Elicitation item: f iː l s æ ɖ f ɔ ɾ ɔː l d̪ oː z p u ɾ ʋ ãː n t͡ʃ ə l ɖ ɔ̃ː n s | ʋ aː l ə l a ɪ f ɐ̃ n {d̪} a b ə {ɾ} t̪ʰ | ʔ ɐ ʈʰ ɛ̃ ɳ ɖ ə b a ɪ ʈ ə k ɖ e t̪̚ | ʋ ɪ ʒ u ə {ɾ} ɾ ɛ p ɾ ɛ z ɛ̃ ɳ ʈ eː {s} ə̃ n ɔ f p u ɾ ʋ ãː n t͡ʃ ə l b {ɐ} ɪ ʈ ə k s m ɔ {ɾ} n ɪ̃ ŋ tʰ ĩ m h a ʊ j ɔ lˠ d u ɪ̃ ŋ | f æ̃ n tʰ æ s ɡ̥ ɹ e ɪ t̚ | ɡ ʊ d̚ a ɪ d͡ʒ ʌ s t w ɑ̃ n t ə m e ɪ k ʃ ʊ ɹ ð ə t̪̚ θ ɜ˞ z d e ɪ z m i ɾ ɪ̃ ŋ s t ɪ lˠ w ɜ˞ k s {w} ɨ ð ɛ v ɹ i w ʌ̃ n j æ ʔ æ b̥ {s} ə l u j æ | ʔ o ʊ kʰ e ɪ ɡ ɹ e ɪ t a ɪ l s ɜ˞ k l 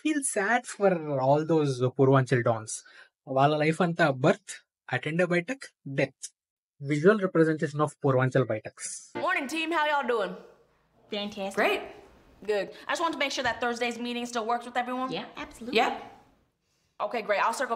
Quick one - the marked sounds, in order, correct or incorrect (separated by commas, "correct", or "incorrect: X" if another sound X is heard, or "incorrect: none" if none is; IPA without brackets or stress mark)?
incorrect: t̪, correct, incorrect: l, incorrect: ʃ, incorrect: a, incorrect: ɹ, correct, correct